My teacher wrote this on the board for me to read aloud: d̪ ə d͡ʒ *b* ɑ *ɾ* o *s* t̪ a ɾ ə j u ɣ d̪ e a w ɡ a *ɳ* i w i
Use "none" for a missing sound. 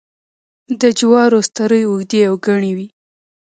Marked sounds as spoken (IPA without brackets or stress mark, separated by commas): w, ɾ, s, ɳ